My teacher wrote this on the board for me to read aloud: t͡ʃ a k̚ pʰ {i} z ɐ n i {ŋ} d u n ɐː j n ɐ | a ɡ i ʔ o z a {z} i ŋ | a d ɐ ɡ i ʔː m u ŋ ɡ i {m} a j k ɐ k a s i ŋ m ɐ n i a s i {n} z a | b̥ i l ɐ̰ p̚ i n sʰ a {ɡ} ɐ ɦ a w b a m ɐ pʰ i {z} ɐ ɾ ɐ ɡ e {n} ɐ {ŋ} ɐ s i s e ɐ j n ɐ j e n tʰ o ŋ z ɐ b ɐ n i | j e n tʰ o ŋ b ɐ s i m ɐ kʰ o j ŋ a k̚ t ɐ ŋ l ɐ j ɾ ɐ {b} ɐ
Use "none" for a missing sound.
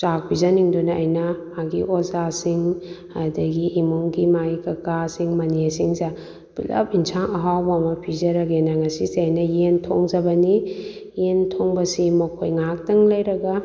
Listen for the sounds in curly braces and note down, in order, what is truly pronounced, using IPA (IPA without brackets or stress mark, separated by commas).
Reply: i, ŋ, s, m, ŋ, ŋ, z, n, ŋ, ɡ